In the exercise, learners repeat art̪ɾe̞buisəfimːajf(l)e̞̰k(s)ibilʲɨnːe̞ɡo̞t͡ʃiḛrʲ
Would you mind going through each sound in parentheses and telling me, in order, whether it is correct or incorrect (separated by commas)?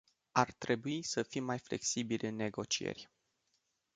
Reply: correct, correct